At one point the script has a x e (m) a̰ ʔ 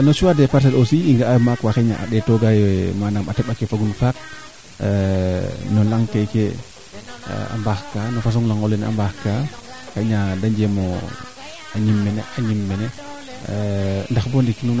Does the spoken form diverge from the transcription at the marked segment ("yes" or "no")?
yes